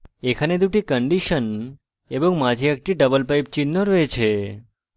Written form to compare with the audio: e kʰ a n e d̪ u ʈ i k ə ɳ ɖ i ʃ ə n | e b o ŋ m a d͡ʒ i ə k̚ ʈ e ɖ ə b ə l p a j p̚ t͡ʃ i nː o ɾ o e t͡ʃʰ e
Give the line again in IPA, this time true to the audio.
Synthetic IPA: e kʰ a n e d̪ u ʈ i k ə ɳ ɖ i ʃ ə n | e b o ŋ m a d͡ʒ i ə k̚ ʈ i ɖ ə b ə l p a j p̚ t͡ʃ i nː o ɾ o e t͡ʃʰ e